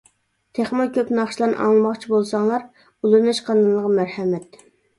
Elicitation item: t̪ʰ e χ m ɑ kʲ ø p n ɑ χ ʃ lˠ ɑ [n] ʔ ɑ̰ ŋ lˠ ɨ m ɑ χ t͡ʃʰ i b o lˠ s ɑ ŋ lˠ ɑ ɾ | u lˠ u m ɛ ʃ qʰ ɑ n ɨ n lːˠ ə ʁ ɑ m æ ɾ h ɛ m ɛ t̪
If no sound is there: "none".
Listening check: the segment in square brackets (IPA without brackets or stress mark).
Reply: n